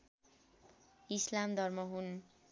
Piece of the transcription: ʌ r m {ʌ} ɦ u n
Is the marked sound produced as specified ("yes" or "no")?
yes